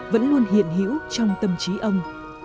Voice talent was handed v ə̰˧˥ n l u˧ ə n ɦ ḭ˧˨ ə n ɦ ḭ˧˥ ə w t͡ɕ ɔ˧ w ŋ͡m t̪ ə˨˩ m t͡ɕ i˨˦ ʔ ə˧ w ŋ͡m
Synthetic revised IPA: v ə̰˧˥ n l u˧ ə n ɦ ḭ˧˨ ə n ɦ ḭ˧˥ ə w t͡ɕ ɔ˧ w ŋ͡m t̪ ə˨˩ m t͡ɕ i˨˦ ʔ ə˧ w ŋ͡m